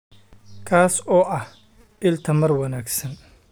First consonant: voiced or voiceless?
voiceless